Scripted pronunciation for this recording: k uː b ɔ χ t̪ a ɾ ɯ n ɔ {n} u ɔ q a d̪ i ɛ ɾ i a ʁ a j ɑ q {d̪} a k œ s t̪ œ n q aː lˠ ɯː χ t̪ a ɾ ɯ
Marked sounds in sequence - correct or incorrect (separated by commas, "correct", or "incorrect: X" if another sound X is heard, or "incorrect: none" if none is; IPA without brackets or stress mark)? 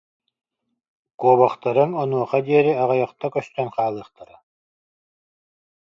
correct, incorrect: t̪